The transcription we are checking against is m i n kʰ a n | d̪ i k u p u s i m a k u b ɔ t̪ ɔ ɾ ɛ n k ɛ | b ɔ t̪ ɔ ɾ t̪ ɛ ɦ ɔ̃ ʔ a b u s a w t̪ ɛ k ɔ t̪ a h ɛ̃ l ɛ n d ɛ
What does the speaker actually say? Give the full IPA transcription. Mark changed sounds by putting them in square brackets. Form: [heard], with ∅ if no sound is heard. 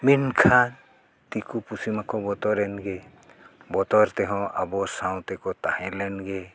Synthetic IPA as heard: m i n kʰ a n | [t̪] i k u p u s i m a k [ɔ] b ɔ t̪ ɔ ɾ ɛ n [ɡ] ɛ | b ɔ t̪ ɔ ɾ t̪ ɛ ɦ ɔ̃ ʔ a b [ɔ] s a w t̪ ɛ k ɔ t̪ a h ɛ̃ l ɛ n [ɡ] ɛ